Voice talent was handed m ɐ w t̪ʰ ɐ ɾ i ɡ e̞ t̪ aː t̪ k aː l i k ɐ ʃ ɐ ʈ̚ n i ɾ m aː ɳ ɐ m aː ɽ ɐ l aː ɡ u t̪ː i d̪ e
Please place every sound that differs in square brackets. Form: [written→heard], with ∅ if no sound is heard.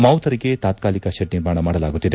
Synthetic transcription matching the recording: m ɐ w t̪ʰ ɐ ɾ i ɡ e̞ t̪ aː t̪ k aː l i k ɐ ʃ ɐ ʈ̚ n i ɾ m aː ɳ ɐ m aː ɽ ɐ l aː ɡ u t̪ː i d̪ e